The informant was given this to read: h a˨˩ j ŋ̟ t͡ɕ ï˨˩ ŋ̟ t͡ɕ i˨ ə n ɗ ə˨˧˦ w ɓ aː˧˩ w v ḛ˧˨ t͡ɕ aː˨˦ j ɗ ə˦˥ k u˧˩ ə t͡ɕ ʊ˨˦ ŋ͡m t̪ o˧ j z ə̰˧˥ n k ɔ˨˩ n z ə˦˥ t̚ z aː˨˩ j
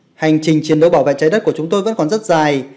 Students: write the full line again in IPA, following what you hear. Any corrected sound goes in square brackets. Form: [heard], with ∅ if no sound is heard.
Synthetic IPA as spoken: h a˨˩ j ŋ̟ t͡ɕ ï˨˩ ŋ̟ t͡ɕ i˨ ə n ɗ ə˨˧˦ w ɓ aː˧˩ w v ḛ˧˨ t͡ɕ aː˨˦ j ɗ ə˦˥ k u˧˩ ə t͡ɕ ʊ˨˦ ŋ͡m t̪ o˧ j [v] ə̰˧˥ n k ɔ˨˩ n z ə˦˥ t̚ z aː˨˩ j